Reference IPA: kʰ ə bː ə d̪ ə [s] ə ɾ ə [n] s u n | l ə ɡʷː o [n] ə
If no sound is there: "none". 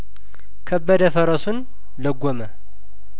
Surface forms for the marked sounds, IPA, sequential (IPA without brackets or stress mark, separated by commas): f, none, m